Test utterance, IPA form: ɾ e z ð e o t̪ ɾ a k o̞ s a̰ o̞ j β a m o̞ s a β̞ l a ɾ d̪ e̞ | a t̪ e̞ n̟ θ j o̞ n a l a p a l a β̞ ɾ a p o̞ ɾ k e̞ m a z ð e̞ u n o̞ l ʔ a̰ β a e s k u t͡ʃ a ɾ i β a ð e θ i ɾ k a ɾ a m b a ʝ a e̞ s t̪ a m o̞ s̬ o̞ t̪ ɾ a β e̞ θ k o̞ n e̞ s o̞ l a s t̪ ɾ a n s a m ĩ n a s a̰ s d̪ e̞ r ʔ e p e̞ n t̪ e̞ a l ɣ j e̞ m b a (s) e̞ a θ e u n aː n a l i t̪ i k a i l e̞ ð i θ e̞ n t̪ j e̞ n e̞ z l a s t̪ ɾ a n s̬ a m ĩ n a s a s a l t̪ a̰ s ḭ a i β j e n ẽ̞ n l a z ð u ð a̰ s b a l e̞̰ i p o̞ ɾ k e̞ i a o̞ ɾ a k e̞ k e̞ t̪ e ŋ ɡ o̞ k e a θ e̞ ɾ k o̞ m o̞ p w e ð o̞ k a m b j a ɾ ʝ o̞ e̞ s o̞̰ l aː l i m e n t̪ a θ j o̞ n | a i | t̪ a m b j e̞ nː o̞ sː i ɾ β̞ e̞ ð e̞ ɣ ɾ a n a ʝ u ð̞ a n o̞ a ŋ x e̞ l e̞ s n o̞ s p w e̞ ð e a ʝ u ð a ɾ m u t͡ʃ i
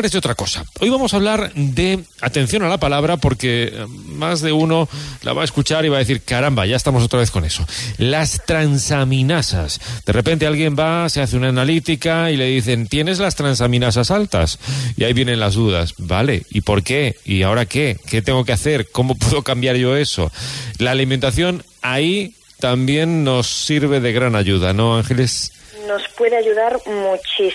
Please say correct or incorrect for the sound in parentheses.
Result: correct